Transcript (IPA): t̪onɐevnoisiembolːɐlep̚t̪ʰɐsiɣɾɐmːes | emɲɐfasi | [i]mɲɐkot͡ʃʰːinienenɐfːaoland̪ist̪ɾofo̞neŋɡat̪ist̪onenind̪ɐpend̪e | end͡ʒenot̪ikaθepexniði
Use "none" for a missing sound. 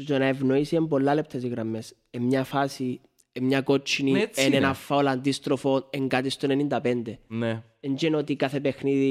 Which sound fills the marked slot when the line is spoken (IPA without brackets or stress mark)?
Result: e